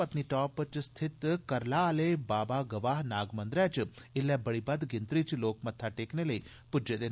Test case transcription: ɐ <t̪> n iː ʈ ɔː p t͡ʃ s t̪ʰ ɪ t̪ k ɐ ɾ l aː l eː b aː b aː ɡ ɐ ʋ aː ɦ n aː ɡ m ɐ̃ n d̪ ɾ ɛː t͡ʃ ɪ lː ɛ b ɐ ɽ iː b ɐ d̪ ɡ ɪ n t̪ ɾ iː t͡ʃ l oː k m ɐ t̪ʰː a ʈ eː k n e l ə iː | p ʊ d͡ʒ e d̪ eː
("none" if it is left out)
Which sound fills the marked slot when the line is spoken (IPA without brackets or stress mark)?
t̪